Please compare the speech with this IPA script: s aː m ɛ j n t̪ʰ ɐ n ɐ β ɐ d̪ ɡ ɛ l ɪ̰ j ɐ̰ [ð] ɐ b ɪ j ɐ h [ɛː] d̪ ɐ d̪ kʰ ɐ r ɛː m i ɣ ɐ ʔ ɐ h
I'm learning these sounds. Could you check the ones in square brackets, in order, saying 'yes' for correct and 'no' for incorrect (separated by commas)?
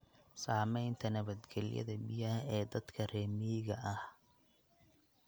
yes, yes